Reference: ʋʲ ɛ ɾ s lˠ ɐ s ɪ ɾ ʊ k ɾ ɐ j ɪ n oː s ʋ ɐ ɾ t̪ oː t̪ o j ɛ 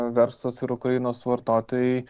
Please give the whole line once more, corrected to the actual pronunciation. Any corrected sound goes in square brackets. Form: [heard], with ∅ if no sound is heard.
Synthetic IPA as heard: ʋʲ ɛ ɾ s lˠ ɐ s ɪ ɾ ʊ k ɾ ɐ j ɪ n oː s ʋ ɐ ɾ t̪ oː t̪ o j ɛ